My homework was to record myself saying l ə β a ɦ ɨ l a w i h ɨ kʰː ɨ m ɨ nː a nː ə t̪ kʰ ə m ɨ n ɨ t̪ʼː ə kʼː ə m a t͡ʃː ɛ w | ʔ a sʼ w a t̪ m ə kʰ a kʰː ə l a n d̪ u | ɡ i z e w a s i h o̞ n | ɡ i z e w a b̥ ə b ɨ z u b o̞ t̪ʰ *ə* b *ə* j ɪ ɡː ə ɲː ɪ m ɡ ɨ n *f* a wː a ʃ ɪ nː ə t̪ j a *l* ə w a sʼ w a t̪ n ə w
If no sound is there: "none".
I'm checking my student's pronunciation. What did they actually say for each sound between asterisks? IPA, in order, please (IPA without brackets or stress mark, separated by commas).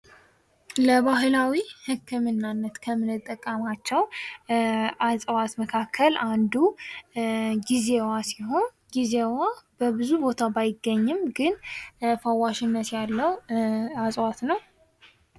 a, a, f, lː